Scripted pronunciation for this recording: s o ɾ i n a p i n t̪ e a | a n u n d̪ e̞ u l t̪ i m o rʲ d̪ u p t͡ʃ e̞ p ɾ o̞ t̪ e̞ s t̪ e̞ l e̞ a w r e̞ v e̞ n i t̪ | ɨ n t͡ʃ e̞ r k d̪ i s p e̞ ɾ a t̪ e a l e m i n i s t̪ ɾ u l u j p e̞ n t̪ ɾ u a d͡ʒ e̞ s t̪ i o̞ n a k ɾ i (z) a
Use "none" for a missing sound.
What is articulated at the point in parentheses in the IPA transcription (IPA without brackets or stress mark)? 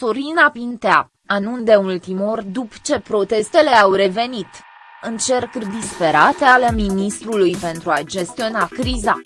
z